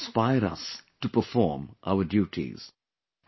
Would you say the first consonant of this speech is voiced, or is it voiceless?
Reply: voiceless